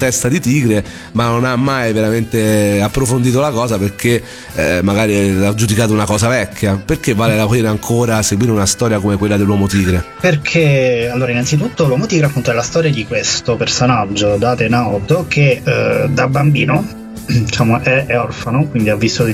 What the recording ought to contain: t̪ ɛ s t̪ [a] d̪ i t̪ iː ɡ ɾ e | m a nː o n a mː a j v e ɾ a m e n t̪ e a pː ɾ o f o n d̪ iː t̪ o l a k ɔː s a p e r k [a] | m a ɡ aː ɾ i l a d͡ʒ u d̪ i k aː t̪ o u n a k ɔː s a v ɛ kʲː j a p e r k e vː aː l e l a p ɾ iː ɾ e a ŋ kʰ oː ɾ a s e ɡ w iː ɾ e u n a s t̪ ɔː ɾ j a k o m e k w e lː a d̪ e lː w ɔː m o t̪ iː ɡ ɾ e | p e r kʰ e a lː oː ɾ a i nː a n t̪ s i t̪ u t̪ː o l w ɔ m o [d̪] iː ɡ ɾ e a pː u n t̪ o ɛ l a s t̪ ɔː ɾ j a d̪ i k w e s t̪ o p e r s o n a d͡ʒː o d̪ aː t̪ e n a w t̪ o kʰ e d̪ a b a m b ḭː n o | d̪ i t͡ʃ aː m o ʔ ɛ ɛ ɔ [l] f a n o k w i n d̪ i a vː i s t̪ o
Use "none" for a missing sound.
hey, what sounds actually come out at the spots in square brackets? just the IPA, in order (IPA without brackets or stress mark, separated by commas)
a, e, t̪, r